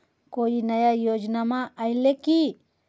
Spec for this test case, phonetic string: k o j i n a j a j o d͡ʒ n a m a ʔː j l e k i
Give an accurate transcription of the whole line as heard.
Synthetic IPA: k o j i n a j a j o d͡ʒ n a m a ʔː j l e k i